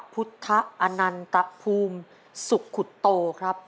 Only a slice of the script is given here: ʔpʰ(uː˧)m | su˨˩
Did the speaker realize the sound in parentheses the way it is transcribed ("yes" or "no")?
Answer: yes